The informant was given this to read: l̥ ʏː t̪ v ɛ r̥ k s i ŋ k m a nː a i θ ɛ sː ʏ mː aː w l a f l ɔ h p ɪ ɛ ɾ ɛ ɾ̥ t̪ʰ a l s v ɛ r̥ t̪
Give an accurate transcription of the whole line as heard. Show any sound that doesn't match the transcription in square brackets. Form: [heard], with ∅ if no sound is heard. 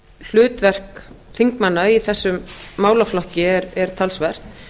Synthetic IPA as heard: l̥ ʏː t̪ v ɛ r̥ k [θ] i ŋ k m a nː a i θ ɛ sː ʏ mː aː w l a f l ɔ h [c] ɪ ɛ ɾ ɛ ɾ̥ t̪ʰ a l s v ɛ r̥ t̪